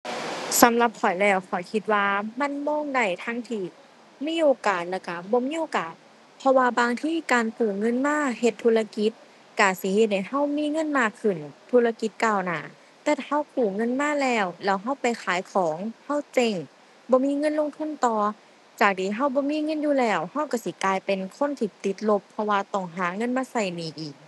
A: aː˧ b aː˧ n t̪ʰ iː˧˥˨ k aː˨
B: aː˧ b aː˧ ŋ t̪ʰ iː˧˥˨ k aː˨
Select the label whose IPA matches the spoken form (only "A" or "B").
B